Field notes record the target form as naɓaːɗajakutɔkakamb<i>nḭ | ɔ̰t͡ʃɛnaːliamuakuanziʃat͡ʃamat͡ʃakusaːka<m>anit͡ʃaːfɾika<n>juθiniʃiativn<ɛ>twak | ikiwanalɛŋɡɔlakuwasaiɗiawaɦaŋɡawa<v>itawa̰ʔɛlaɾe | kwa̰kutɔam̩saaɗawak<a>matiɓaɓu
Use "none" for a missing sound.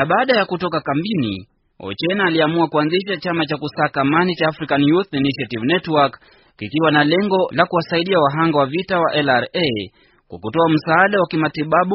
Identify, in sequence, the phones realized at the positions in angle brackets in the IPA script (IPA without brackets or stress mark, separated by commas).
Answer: i, m, n, ɛ, v, i